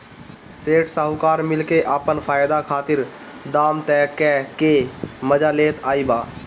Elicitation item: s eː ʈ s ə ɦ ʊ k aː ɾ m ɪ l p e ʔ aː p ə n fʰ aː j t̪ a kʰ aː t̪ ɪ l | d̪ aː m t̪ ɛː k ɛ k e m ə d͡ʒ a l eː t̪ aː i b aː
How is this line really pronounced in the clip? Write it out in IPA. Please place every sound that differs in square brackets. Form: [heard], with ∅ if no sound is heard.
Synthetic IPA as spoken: s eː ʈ s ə ɦ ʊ k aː ɾ m ɪ l [k] e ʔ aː p ə n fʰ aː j [d̪] a kʰ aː t̪ ɪ [ɾ] | d̪ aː m t̪ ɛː k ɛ k e m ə d͡ʒ a l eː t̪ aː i b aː